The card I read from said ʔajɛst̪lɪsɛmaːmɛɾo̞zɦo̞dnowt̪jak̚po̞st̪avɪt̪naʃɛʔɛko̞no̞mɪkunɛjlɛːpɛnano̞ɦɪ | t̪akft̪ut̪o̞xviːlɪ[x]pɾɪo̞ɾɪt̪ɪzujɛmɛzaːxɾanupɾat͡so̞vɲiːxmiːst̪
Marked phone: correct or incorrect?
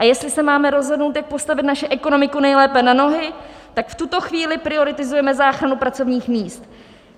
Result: incorrect